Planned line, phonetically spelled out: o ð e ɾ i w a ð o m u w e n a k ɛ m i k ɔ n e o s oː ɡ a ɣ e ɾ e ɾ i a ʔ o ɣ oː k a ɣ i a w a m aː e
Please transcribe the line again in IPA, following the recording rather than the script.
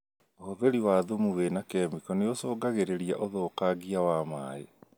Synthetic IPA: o ð e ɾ i w a ð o m u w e n a k ɛ m i k ɔ n e o s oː ɡ a ɣ e ɾ e ɾ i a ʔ o ð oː k a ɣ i a w a m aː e